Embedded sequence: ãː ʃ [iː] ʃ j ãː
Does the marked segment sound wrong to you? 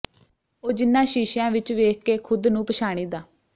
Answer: no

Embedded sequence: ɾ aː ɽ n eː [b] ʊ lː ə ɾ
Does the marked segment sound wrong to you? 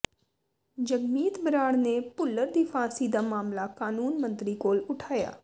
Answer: yes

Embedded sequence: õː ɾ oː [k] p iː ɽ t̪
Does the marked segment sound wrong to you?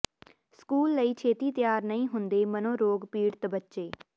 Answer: yes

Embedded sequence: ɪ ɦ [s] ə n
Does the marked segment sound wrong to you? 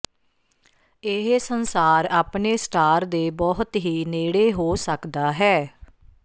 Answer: no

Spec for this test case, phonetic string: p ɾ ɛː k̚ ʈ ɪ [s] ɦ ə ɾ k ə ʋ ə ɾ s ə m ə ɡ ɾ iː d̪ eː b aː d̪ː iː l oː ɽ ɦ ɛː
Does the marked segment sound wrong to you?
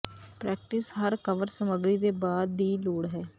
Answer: no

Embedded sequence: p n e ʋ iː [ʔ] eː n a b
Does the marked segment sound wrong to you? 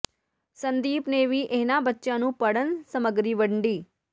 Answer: no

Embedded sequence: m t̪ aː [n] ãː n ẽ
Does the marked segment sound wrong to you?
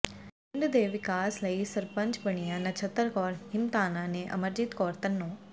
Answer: no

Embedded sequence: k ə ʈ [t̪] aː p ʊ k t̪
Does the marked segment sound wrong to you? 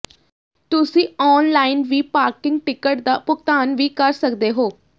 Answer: yes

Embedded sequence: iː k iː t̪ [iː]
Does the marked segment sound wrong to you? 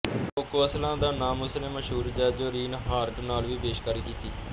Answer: no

